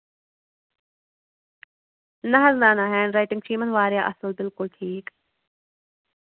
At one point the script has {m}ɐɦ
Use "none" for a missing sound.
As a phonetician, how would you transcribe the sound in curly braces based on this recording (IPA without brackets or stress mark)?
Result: n